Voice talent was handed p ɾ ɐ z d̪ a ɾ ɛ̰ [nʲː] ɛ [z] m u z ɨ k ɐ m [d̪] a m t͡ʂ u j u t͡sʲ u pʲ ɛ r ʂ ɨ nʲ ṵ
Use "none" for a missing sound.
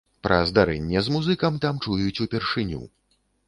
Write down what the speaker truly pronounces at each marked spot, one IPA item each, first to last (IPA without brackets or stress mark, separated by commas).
nʲː, z, t̪